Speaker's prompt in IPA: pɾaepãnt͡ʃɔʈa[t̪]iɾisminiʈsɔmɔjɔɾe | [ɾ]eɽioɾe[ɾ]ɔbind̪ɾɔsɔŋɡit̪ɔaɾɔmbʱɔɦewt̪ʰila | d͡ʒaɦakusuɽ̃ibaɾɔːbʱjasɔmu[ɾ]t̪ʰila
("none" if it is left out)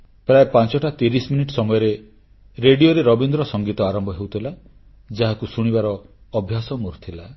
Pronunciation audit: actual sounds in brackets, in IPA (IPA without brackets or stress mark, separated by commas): t̪, ɾ, ɾ, ɾ